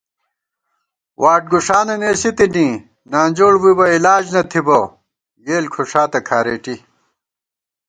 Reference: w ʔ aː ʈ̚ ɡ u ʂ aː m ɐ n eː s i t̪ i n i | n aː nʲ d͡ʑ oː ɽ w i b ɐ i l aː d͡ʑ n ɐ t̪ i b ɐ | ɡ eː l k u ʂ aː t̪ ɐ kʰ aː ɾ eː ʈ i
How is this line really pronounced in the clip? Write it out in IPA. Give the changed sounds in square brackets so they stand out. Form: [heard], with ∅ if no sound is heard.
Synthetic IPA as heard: w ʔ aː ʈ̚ ɡ u ʂ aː [n] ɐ n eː s i t̪ i n i | n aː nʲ d͡ʑ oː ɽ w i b ɐ i l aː d͡ʑ n ɐ [t̪ʰ] i b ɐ | ɡ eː l [kʰ] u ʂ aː t̪ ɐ kʰ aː ɾ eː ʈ i